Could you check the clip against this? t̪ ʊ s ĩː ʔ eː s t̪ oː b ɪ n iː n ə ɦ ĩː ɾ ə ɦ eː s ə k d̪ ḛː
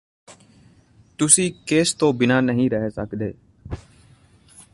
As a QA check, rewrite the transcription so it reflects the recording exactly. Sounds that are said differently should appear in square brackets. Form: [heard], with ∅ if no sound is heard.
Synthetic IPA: t̪ ʊ s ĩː [k] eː s t̪ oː b ɪ n [aː] n ə ɦ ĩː ɾ ə ɦ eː s ə k d̪ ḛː